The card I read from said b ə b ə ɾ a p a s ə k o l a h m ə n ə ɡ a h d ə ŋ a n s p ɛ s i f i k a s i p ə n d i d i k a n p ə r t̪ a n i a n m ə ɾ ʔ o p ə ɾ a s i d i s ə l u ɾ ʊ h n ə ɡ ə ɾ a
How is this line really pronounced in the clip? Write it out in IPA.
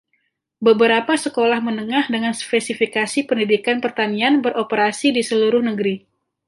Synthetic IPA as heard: b ə b ə ɾ a p a s ə k o l a h m ə n ə ŋ a h d ə ŋ a n s p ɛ s i f i k a s i p ə n d i d i k a n p ə r t̪ a n i a n b ə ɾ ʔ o p ə ɾ a s i d i s ə l u ɾ ʊ h n ə ɡ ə ɾ i